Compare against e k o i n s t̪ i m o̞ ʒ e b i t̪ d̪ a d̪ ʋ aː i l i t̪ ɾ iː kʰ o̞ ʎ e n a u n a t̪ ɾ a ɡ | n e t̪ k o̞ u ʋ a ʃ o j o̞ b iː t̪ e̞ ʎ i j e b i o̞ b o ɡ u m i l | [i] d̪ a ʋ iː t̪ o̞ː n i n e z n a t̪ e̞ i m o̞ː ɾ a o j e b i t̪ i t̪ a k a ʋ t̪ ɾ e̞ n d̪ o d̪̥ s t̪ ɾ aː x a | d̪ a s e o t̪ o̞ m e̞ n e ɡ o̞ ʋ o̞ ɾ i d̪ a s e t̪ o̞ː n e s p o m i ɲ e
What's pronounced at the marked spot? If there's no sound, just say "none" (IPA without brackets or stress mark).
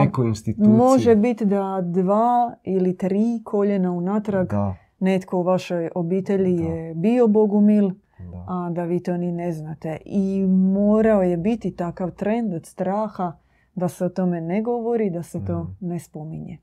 a